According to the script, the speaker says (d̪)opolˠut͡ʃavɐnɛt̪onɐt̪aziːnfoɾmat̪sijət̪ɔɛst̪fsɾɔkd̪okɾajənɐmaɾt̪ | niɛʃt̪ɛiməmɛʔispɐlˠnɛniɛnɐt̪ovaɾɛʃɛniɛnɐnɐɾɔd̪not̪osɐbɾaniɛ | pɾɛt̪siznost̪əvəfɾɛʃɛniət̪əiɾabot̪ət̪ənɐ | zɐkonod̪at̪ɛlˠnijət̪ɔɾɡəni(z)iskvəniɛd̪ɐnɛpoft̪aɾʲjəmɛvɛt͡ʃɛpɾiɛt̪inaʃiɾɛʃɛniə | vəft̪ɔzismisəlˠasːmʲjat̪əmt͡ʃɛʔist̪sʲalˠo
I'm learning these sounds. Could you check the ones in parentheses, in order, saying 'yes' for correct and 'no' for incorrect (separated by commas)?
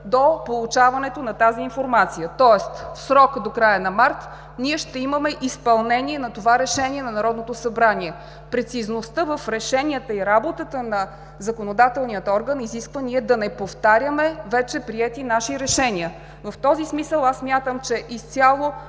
yes, yes